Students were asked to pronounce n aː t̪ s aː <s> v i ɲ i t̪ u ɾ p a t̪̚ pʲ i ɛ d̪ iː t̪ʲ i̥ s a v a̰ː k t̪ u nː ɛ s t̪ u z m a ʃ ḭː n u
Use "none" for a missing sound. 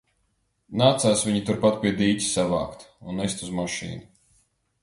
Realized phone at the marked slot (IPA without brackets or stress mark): s